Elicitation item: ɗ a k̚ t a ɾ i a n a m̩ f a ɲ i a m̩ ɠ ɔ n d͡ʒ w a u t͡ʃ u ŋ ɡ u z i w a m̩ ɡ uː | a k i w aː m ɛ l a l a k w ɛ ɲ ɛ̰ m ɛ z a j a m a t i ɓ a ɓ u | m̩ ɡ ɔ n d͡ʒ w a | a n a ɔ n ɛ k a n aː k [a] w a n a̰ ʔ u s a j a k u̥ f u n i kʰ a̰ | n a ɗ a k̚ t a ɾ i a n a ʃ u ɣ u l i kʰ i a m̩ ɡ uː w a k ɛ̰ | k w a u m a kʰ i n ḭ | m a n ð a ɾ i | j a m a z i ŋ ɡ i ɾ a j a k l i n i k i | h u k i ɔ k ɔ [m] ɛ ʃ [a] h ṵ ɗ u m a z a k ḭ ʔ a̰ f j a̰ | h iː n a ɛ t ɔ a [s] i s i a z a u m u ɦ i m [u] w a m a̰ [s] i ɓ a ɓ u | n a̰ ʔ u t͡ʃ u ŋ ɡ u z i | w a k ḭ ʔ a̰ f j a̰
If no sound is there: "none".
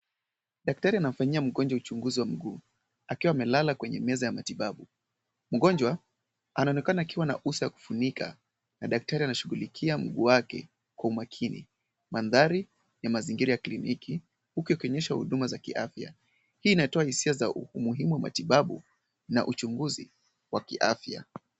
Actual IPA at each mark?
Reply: i, ɲ, a, h, u, t

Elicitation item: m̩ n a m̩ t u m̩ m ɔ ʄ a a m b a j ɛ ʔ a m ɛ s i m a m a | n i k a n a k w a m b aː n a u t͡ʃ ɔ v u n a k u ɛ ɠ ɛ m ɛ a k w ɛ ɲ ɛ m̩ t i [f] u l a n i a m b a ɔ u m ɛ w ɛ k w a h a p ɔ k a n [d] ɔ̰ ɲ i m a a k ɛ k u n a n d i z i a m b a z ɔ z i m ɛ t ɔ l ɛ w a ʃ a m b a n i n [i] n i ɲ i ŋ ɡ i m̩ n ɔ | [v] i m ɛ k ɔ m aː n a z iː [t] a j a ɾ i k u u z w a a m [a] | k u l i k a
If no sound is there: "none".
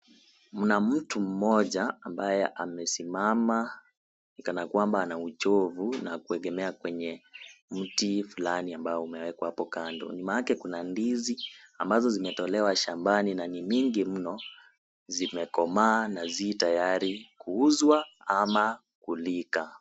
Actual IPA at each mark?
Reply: f, d, a, z, t, a

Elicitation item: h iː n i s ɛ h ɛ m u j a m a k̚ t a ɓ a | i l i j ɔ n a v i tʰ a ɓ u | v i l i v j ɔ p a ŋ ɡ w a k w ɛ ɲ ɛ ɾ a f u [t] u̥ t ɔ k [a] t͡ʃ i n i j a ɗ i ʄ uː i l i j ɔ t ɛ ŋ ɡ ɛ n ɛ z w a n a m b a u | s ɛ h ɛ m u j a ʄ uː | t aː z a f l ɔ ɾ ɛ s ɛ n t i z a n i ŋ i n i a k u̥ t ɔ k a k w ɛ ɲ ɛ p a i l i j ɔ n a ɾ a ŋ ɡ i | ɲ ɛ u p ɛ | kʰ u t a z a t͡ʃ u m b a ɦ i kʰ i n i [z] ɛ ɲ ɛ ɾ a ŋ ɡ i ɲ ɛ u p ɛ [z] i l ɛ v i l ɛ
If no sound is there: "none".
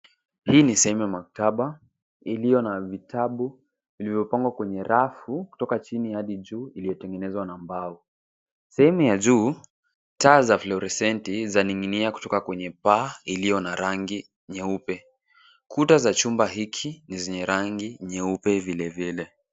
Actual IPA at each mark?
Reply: k, a, z, v

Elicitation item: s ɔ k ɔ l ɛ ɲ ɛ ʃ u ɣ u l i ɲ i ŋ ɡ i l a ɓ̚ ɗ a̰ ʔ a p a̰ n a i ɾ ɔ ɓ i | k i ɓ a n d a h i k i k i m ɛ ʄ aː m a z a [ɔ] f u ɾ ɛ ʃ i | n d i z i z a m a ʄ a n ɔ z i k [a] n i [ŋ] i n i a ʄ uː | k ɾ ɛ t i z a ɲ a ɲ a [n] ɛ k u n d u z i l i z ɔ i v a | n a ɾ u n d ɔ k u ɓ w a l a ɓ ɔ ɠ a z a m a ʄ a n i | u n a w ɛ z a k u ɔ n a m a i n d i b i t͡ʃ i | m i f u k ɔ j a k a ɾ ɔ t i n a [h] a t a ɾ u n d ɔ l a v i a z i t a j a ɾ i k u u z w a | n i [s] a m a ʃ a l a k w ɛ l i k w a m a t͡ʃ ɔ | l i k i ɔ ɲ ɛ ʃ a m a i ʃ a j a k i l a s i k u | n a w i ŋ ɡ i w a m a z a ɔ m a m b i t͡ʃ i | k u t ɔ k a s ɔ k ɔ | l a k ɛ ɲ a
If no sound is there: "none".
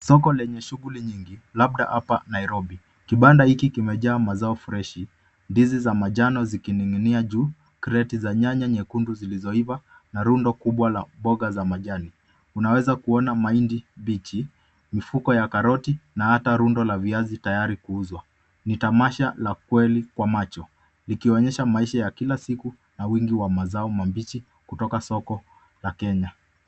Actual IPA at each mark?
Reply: ɔ, i, ŋ, ɲ, h, t

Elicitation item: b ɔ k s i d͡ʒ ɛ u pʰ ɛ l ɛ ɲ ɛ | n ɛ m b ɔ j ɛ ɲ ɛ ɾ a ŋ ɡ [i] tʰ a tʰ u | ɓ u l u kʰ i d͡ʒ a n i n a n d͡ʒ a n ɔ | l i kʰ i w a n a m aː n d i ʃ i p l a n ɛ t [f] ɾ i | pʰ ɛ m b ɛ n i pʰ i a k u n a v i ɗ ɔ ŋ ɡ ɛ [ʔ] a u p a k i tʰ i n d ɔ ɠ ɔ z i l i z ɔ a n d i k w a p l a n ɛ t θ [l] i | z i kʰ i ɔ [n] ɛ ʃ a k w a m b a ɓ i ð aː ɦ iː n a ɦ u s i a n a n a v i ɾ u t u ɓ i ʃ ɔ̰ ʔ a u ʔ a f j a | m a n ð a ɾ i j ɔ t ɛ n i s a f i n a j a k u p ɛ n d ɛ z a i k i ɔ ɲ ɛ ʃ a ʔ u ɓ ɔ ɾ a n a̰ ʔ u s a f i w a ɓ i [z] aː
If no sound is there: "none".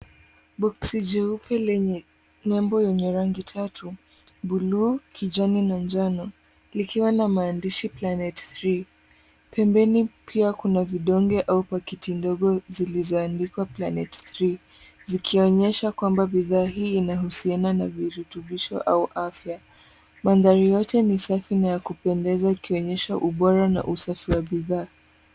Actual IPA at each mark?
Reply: i, θ, ʔ, ɾ, ɲ, ð

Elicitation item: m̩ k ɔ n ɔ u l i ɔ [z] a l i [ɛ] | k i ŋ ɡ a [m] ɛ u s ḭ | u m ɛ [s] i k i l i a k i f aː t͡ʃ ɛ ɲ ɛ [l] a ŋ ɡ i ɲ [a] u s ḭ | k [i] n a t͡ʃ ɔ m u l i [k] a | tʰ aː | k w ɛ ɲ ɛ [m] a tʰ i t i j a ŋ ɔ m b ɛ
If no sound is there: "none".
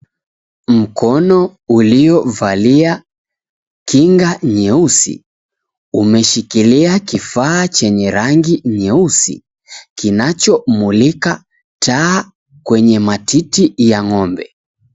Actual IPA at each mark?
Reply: v, a, ɲ, ʃ, ɾ, ɛ, i, k, m

